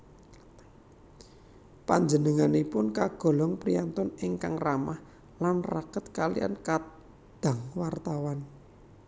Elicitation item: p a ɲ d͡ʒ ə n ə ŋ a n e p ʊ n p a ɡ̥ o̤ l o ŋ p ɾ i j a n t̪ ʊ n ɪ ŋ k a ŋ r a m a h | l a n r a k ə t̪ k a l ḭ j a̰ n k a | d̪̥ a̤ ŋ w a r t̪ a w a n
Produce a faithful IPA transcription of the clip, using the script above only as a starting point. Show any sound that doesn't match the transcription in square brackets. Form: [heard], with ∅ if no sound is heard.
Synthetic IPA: p a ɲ d͡ʒ ə n ə ŋ a n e p ʊ n [k] a ɡ̥ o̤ l [ɔ] ŋ p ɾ i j a n t̪ ʊ n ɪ ŋ k a ŋ r a m a h | l a n r a k ə t̪ k a l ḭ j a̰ n k a | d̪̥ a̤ ŋ w a r t̪ a w a n

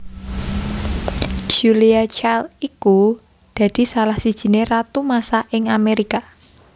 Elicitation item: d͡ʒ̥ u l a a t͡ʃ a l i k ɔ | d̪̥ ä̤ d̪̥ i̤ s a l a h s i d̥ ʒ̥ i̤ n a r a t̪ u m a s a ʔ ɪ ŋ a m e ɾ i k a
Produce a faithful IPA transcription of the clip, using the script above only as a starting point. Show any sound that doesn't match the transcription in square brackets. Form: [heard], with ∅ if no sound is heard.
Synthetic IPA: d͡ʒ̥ u l [i] a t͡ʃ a l i k [u] | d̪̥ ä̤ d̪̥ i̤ s a l a h s i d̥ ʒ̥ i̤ n [e] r a t̪ u m a s a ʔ ɪ ŋ a m e ɾ i k a

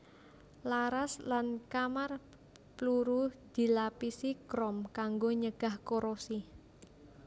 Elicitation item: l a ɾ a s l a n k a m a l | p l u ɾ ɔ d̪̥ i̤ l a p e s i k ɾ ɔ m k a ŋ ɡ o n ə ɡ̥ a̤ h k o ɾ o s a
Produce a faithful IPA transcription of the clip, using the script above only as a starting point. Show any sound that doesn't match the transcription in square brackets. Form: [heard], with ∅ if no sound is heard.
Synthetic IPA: l a ɾ a s l a n k a m a [r] | p l u ɾ [u] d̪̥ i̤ l a p [i] s i k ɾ ɔ m k a ŋ ɡ o [ɲ] ə ɡ̥ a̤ h k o ɾ o s [i]

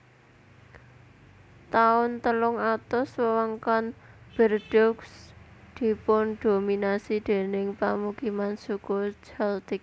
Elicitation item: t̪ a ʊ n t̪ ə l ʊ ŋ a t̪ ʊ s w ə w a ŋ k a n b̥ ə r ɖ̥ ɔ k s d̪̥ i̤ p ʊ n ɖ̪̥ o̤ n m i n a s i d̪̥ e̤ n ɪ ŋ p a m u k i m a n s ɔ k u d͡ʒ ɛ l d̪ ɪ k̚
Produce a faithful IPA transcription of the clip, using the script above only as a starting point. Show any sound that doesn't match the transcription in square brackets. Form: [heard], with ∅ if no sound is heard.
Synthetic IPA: t̪ a ʊ n t̪ ə l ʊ ŋ a t̪ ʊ s w ə w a ŋ k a n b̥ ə r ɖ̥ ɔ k s d̪̥ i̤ p ʊ n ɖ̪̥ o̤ [∅] m i n a s i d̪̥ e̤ n ɪ ŋ p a m u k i m a n s [u] k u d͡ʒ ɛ l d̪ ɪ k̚

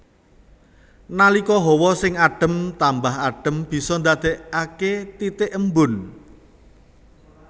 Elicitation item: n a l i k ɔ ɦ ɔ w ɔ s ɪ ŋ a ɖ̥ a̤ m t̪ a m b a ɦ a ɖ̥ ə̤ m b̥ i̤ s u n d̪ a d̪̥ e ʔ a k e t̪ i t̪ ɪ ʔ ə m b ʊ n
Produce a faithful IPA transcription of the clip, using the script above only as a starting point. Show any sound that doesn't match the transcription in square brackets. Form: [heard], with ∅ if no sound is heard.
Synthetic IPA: n a l i k ɔ ɦ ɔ w ɔ s ɪ ŋ a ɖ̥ [ə̤] m t̪ a m b a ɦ a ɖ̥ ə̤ m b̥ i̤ s [ɔ] n d̪ a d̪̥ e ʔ a k e t̪ i t̪ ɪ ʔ ə m b ʊ n

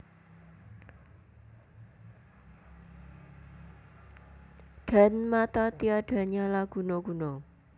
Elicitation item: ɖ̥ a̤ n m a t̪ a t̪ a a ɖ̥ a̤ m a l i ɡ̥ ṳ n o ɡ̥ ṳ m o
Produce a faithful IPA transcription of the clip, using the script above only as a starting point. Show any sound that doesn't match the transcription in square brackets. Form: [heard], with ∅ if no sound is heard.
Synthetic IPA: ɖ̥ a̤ n m a t̪ a t̪ [i] a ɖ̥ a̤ [ɲ] a l [a] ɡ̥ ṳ n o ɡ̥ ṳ [n] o

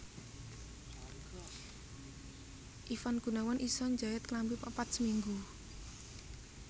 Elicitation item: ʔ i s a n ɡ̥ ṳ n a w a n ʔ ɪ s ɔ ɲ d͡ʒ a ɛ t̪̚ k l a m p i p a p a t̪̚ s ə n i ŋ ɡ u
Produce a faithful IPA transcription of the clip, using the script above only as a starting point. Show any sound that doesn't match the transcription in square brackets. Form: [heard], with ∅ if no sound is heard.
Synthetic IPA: ʔ i [f] a n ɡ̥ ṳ n a w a n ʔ [i] s ɔ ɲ d͡ʒ a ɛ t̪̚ k l a m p i p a p a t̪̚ s ə [m] i ŋ ɡ u

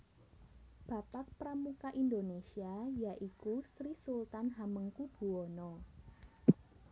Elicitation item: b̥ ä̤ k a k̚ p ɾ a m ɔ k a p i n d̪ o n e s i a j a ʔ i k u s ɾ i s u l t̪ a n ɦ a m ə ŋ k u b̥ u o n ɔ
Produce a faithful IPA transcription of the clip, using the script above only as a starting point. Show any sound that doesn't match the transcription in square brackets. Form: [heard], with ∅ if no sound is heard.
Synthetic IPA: b̥ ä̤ [p] a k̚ p ɾ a m [u] k a [ʔ] i n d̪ o n e s i a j a ʔ i k u s ɾ i s u l t̪ a n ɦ a m ə ŋ k u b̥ u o n ɔ

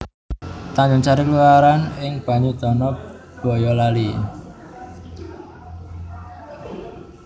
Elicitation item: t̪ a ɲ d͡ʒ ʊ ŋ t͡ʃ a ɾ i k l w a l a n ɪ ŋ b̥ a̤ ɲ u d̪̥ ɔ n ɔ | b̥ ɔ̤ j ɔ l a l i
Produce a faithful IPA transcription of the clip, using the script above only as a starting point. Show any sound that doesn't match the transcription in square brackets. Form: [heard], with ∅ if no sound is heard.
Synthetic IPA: t̪ a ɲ d͡ʒ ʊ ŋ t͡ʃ a ɾ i k l [u] a [ɾ] a n ɪ ŋ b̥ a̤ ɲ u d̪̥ ɔ n ɔ | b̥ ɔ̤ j ɔ l a l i

